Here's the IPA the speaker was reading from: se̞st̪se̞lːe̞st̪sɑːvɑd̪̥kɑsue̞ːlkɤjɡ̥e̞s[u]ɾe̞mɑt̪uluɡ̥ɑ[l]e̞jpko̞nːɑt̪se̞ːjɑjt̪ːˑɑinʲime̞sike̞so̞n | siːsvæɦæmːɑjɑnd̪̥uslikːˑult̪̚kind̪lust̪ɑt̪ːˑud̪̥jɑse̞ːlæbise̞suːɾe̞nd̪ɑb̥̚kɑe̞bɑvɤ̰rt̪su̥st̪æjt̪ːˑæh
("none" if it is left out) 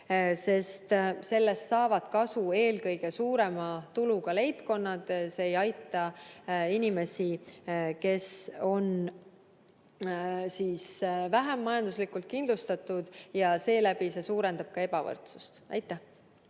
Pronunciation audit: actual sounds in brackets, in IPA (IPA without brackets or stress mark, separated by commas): uː, l